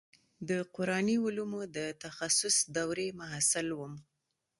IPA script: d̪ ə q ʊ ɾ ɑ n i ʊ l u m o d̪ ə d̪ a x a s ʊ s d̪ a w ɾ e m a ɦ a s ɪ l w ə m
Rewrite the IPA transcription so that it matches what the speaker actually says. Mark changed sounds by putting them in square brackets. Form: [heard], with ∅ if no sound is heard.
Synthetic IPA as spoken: d̪ ə q ʊ ɾ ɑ n i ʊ l u m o d̪ ə [t̪] a x a s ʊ s d̪ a w ɾ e m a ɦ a s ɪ l w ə m